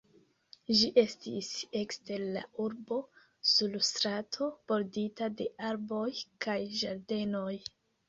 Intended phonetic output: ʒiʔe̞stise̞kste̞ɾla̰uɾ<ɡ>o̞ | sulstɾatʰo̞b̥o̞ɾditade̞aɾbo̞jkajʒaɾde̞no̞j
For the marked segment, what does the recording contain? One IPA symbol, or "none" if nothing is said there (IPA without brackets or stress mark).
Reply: b